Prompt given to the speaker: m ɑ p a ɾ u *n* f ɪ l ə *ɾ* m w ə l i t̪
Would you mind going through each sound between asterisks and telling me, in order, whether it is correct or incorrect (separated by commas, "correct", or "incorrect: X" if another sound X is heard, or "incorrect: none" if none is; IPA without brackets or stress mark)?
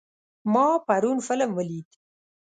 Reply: correct, incorrect: none